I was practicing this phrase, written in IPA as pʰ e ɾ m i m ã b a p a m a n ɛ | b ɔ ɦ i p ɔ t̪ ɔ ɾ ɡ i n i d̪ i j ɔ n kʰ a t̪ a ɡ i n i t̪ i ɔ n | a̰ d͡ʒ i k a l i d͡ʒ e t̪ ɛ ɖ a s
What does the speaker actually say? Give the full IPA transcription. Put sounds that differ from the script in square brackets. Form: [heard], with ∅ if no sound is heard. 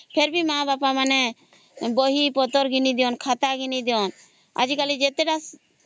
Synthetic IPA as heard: pʰ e ɾ [b] i m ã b a p a m a n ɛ | b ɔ ɦ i p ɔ t̪ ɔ ɾ ɡ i n i d̪ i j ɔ n kʰ a t̪ a ɡ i n i [d̪] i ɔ n | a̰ d͡ʒ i k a l i d͡ʒ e t̪ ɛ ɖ a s